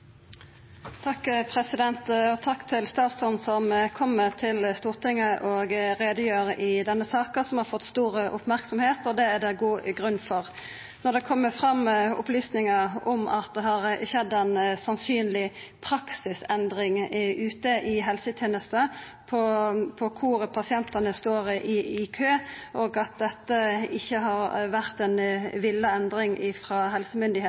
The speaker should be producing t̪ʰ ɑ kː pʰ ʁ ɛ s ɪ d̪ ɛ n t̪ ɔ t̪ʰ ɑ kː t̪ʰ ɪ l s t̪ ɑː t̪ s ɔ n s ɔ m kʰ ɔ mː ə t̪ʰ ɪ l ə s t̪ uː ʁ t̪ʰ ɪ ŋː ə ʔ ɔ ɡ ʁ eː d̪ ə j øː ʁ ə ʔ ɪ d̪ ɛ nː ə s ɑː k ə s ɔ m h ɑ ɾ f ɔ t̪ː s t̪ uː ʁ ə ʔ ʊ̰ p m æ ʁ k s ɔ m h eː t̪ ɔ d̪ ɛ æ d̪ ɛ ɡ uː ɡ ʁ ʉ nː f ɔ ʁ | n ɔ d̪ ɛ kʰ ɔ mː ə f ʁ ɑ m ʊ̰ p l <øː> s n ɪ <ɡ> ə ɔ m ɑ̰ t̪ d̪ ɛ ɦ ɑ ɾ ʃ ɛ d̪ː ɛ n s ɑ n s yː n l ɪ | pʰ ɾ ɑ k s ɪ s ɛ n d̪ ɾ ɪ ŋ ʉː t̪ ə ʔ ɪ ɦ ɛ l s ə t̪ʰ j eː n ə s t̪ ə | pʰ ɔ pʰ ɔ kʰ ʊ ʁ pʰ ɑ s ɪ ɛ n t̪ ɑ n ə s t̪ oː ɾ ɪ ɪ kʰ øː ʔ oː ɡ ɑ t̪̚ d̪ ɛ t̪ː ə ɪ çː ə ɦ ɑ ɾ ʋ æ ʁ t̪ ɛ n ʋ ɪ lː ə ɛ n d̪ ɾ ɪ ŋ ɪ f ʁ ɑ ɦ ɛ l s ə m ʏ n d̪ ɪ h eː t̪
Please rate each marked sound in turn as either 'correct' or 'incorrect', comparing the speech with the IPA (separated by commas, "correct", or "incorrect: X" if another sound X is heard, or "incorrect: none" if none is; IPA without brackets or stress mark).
incorrect: yː, incorrect: ŋ